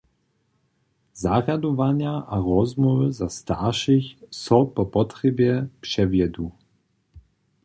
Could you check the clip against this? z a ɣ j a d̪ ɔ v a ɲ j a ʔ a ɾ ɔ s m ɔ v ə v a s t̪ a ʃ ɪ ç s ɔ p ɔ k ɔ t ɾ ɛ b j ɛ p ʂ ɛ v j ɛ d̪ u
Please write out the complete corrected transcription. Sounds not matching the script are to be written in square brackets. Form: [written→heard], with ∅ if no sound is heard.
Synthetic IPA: z a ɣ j a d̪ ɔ v a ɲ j a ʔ a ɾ ɔ [s→z] m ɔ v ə [v→z] a s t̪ a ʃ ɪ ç s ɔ p ɔ [k→p] ɔ t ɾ ɛ b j ɛ p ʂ ɛ v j ɛ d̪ u